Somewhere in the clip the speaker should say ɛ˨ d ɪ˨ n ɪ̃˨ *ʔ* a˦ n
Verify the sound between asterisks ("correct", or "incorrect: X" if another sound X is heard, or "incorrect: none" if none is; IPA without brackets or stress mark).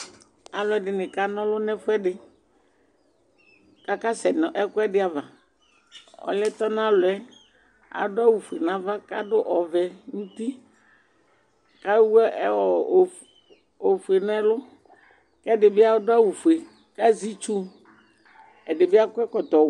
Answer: incorrect: k